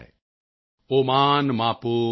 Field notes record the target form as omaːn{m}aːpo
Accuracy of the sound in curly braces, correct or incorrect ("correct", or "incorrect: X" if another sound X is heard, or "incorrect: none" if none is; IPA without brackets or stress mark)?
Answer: correct